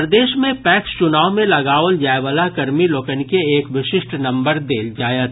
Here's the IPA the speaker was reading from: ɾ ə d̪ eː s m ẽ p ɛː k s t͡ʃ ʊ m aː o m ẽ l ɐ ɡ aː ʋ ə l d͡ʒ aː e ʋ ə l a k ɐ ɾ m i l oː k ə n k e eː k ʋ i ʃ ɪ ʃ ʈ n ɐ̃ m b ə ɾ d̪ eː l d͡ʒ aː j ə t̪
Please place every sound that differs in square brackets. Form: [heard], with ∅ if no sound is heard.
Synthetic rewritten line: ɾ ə d̪ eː [ʃ] m ẽ p ɛː k s t͡ʃ ʊ [n] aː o m ẽ l ɐ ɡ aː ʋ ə l d͡ʒ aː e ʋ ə l a k ɐ ɾ m i l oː k ə n k e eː k ʋ [ɪ] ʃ ɪ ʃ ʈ n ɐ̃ m b ə ɾ d̪ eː l d͡ʒ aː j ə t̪